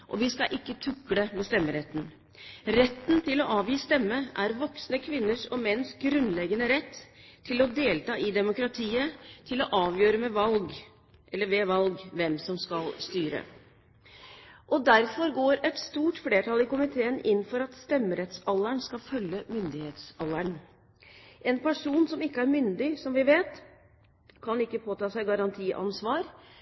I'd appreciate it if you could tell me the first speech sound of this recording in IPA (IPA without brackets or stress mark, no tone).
ʔ